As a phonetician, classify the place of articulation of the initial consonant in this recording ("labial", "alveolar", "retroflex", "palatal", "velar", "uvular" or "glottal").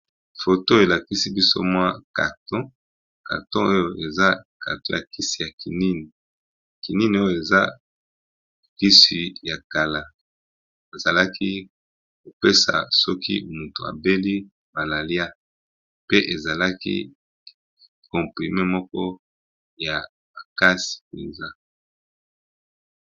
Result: labial